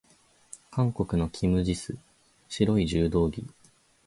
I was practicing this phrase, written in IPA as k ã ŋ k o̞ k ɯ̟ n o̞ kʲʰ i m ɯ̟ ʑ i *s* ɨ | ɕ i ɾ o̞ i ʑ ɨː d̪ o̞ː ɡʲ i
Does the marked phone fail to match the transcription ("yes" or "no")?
no